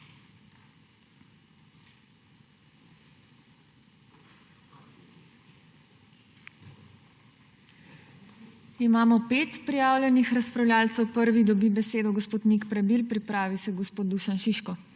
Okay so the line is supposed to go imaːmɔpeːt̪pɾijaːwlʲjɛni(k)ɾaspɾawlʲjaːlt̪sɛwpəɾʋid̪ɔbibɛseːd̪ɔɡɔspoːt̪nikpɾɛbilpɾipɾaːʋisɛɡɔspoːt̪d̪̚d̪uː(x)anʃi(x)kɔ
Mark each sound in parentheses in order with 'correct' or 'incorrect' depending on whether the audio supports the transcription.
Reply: incorrect, incorrect, incorrect

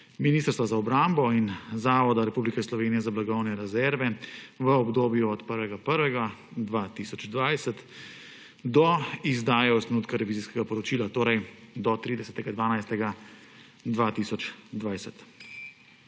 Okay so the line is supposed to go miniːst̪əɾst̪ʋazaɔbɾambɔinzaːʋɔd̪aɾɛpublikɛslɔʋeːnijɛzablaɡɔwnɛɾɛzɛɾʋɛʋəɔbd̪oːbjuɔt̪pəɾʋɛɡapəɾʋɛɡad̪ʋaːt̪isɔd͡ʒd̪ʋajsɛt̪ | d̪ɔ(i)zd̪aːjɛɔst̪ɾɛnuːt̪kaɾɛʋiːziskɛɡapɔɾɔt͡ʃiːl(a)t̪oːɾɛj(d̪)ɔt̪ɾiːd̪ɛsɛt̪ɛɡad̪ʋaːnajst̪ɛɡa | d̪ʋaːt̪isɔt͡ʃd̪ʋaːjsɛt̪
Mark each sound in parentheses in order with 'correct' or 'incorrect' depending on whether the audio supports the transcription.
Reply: correct, correct, correct

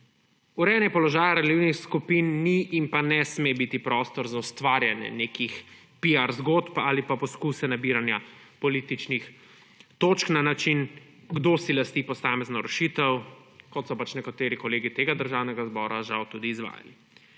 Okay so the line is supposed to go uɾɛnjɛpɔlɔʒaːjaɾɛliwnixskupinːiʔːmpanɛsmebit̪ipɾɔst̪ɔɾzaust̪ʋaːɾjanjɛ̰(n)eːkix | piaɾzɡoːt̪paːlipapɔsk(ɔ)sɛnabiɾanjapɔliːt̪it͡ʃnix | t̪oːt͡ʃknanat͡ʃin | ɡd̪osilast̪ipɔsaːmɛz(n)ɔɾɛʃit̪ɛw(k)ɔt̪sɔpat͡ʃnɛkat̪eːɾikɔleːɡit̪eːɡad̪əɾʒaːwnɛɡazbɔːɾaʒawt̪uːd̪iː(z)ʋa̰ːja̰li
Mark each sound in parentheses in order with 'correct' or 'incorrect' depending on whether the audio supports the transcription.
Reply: correct, incorrect, correct, correct, correct

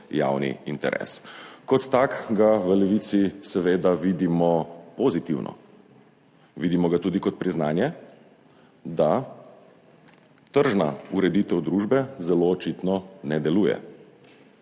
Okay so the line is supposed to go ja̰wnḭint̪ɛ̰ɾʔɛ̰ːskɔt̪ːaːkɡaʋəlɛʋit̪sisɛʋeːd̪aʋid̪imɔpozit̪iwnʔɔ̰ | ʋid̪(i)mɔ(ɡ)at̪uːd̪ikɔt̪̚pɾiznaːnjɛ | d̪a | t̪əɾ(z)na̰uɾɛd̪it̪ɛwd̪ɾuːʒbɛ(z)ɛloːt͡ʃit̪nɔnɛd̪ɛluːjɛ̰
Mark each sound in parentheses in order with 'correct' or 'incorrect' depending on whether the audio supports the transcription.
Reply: correct, correct, incorrect, correct

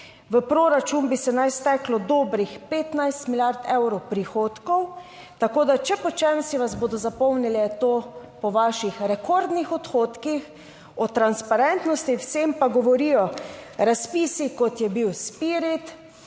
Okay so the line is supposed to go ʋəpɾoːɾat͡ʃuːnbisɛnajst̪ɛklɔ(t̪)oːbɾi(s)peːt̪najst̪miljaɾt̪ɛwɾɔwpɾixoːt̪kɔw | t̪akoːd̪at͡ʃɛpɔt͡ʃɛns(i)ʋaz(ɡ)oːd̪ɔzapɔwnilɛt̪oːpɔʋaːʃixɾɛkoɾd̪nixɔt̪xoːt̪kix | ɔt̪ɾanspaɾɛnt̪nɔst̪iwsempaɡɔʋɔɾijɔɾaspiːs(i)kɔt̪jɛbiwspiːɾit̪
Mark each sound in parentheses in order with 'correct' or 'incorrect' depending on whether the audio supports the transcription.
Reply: incorrect, incorrect, correct, incorrect, correct

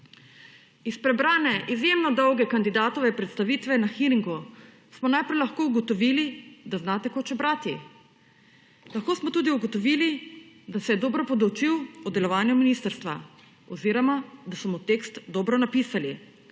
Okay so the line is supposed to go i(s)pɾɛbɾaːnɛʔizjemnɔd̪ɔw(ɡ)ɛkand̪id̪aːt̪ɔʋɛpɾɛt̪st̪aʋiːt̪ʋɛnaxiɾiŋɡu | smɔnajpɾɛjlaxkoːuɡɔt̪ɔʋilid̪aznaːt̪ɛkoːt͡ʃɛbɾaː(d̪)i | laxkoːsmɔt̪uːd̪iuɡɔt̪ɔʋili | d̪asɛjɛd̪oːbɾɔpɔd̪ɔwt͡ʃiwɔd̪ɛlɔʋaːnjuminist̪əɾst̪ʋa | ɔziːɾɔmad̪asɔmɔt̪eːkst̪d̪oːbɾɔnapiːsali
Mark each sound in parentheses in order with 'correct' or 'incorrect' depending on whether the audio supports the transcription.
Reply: correct, correct, incorrect

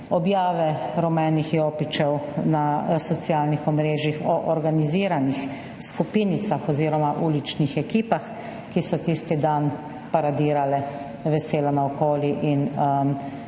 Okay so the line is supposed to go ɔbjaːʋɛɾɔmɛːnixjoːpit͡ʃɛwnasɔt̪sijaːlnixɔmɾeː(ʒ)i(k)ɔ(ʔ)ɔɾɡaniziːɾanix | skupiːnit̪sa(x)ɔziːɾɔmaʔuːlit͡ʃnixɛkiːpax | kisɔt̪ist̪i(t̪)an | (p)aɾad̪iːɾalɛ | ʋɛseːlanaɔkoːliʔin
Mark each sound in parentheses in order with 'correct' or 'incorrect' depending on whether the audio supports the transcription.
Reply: correct, incorrect, correct, correct, incorrect, correct

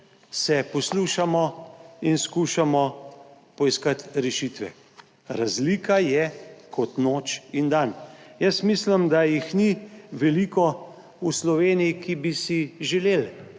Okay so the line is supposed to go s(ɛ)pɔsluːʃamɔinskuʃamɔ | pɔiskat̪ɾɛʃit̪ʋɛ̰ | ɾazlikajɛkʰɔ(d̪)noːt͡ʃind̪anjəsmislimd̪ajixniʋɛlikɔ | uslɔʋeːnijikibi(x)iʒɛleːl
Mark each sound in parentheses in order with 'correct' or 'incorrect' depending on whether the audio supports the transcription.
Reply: correct, incorrect, incorrect

